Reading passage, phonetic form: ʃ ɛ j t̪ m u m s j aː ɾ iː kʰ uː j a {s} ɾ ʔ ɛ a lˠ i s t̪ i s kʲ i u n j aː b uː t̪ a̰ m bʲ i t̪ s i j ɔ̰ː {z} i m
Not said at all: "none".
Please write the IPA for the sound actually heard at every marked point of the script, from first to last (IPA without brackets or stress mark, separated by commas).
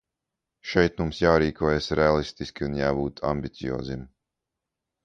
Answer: s, z